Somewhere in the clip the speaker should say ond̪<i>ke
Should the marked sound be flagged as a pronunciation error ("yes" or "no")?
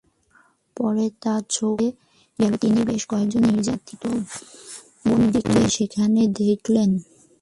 no